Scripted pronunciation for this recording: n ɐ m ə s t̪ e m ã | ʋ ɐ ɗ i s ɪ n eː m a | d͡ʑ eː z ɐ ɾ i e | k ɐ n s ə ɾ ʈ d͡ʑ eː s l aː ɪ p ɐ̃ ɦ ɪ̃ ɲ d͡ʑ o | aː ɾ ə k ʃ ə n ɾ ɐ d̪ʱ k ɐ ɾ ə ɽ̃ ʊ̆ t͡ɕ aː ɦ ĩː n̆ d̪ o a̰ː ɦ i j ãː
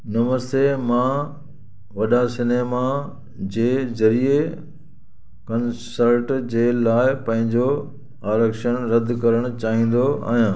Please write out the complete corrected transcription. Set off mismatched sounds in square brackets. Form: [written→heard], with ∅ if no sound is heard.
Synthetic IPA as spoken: n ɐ m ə s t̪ e m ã | ʋ ɐ ɗ [i→a] s ɪ n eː m a | d͡ʑ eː z ɐ ɾ i e | k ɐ n s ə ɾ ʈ d͡ʑ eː [s→∅] l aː ɪ p ɐ̃ ɦ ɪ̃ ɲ d͡ʑ o | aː ɾ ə k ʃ ə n ɾ ɐ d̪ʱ k ɐ ɾ ə ɽ̃ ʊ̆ t͡ɕ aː ɦ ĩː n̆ d̪ o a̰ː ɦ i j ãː